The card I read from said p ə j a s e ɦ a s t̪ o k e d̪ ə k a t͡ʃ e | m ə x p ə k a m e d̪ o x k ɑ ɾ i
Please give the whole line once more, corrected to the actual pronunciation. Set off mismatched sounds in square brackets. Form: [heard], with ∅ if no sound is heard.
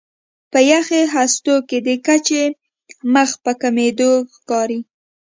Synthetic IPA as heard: p ə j a [x] e ɦ a s t̪ o k e d̪ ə k a t͡ʃ e | m ə x p ə k a m e d̪ o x k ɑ ɾ i